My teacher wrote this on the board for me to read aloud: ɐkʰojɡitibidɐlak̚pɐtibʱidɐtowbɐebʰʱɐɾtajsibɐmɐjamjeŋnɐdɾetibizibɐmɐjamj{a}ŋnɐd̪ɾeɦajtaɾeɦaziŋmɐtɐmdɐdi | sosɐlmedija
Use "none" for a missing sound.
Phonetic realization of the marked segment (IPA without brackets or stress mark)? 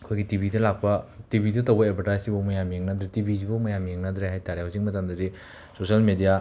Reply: e